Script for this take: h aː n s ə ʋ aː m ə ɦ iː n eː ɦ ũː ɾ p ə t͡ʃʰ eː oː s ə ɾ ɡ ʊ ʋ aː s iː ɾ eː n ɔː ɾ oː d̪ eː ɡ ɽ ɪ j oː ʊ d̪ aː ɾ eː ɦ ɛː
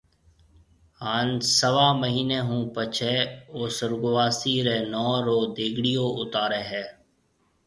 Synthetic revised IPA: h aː n s ə ʋ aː m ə ɦ iː n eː ɦ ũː p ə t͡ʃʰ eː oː s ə ɾ ɡ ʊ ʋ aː s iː ɾ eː n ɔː ɾ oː d̪ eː ɡ ɽ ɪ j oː ʊ t̪ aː ɾ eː ɦ ɛː